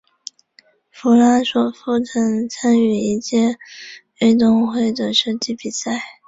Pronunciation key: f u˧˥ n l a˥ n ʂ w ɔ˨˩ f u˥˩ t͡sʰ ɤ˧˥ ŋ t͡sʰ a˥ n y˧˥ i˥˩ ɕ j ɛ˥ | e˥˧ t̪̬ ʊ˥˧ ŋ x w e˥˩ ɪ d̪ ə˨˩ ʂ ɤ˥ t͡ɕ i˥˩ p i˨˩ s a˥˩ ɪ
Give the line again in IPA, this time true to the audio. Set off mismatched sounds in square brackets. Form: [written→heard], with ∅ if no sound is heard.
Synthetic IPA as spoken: f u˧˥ [n→∅] l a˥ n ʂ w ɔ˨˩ f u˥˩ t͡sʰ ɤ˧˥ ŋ t͡sʰ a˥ n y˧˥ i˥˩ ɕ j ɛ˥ | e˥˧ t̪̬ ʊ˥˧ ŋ x w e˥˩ ɪ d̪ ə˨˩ ʂ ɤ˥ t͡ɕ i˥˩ p i˨˩ s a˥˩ ɪ